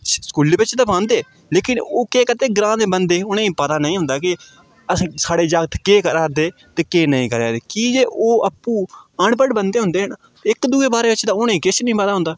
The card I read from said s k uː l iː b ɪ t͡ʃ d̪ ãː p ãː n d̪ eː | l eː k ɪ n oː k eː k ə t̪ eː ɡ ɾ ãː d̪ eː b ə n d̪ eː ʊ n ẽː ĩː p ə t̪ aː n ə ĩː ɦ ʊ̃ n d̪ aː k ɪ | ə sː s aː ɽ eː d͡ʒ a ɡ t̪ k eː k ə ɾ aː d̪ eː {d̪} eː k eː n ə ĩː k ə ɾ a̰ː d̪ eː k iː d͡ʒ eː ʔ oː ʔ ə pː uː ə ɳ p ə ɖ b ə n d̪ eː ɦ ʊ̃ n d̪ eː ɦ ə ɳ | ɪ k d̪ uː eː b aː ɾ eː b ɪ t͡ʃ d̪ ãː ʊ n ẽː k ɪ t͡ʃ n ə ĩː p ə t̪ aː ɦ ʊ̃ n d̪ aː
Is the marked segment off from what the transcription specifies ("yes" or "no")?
yes